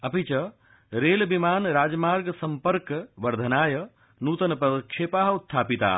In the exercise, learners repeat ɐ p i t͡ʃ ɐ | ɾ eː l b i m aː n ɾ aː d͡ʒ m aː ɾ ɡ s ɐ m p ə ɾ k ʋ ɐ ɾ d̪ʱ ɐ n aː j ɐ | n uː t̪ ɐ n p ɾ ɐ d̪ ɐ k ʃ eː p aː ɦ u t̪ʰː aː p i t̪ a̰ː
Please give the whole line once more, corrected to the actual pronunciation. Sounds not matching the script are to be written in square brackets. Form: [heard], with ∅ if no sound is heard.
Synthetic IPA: ɐ p i t͡ʃ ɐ | ɾ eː l b i m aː n ɾ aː d͡ʒ m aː ɾ ɡ s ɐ m p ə ɾ k ʋ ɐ ɾ d̪ʱ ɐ n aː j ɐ | n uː t̪ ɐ n p ɾ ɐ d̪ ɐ k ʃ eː p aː ɦ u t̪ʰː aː p i t̪ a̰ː